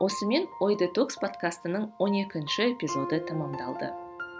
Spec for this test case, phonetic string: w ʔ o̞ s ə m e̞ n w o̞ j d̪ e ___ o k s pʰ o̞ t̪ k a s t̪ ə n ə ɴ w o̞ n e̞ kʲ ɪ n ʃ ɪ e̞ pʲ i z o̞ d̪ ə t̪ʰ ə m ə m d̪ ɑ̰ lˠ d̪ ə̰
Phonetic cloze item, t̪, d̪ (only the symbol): t̪